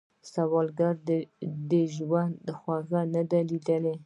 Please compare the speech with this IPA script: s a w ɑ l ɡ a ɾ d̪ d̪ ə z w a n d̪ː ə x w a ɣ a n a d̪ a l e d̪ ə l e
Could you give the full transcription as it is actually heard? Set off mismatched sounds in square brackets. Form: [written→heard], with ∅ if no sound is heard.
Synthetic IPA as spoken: s a w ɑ l ɡ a ɾ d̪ d̪ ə [z→ʒ] w a n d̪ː ə x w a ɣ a n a d̪ a l [e→i] d̪ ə l e